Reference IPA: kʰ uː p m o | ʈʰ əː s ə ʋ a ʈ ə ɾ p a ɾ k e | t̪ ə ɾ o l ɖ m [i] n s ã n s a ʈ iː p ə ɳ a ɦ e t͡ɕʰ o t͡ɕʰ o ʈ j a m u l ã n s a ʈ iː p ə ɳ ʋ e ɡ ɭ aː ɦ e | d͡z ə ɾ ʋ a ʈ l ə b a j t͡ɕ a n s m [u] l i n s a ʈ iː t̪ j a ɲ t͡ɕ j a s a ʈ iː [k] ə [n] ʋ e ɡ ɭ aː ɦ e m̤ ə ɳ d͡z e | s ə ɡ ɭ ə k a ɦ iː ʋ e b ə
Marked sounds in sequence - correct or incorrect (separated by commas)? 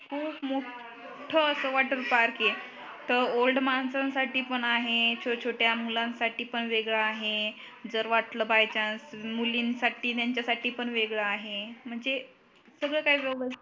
incorrect, correct, incorrect, incorrect